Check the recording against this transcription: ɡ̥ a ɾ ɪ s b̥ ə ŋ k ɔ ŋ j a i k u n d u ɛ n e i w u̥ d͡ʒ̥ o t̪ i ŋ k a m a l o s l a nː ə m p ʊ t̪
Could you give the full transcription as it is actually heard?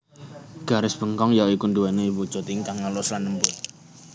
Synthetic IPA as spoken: ɡ̥ a ɾ ɪ s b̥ ə ŋ k ɔ ŋ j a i k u n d u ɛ n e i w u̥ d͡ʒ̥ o t̪ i ŋ k a ŋ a l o s l a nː ə m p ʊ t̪

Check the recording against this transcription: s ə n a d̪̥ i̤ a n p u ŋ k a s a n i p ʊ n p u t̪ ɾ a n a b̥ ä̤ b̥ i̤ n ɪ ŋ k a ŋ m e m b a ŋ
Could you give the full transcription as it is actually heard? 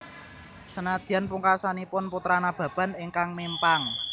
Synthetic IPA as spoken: s ə n a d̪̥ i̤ a n p u ŋ k a s a n i p ʊ n p u t̪ ɾ a n a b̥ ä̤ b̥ a̤ n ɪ ŋ k a ŋ m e m p a ŋ

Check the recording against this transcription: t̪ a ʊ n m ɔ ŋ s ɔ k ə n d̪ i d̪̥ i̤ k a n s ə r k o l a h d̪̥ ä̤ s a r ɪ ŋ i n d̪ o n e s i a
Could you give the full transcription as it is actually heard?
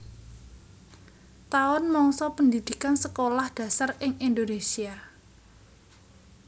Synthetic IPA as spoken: t̪ a ʊ n m ɔ ŋ s ɔ p ə n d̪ i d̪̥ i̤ k a n s ə k o l a h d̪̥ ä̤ s a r ɪ ŋ i n d̪ o n e s i a

